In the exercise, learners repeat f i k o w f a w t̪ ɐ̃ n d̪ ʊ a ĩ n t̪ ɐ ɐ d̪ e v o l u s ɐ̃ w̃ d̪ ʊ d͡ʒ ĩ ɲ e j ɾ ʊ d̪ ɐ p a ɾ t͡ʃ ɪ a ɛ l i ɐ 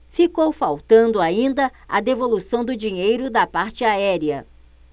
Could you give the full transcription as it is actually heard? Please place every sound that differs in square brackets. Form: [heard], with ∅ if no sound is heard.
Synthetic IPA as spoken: f i k o w f a w t̪ ɐ̃ n d̪ ʊ a ĩ n [d̪] ɐ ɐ d̪ e v o l u s ɐ̃ w̃ d̪ ʊ d͡ʒ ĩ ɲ e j ɾ ʊ d̪ ɐ p a ɾ t͡ʃ ɪ a ɛ [ɾ] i ɐ